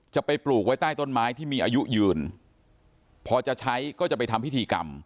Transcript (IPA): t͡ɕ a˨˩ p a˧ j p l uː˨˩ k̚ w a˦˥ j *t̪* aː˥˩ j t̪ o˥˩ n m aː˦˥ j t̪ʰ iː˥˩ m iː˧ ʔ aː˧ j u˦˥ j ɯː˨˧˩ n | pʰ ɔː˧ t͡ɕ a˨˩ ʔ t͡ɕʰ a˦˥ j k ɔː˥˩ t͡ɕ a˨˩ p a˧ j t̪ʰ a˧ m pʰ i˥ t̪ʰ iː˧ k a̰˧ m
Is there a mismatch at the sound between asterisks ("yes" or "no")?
no